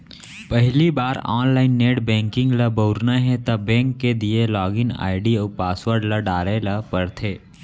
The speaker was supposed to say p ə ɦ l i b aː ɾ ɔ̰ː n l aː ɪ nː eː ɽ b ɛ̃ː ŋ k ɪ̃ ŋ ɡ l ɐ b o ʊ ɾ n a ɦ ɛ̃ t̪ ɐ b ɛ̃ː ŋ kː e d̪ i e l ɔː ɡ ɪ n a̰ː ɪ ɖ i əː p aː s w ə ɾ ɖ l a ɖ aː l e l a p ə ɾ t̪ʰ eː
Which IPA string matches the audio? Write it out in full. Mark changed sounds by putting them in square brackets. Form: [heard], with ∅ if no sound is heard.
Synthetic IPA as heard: p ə ɦ l i b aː ɾ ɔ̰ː n l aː ɪ nː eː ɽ b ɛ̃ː ŋ k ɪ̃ ŋ ɡ l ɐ b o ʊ ɾ n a ɦ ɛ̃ t̪ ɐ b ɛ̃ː ŋ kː e d̪ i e l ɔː ɡ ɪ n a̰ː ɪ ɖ i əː p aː s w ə ɾ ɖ l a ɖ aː [ɾ] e l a p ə ɾ t̪ʰ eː